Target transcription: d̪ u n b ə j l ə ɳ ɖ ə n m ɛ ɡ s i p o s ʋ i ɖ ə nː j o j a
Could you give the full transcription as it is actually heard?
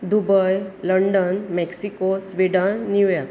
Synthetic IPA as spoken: d̪ u b ə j l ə ɳ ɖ ə n m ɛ k s i k o s ʋ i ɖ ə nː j u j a